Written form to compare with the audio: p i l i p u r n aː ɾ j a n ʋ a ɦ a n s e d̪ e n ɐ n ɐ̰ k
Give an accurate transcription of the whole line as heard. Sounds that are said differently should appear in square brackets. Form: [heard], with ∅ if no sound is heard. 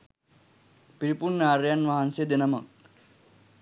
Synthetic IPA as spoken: p i [ɾ] i p u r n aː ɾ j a n ʋ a ɦ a n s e d̪ e n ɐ [m] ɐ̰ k